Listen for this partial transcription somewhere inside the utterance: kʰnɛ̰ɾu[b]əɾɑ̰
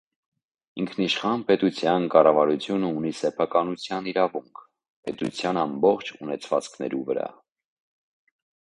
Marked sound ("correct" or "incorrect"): incorrect